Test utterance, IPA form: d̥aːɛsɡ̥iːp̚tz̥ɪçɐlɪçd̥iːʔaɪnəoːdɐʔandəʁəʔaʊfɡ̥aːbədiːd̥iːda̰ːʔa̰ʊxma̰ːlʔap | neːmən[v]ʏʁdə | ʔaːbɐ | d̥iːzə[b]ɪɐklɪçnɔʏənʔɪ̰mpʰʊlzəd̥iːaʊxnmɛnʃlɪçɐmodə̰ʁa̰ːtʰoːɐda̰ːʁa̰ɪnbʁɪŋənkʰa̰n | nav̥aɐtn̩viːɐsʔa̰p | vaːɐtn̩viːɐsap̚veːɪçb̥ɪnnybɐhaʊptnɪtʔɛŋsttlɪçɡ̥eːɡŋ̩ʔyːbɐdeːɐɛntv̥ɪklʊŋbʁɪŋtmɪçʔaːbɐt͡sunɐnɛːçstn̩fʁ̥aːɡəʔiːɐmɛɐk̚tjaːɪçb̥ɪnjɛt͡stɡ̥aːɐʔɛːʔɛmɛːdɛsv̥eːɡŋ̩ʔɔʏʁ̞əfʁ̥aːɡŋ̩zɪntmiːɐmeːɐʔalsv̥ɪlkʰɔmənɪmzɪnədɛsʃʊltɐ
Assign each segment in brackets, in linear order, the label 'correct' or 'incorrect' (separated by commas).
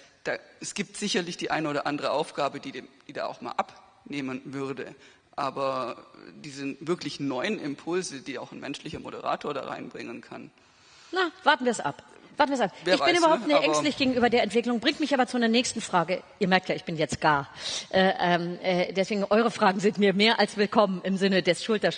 correct, incorrect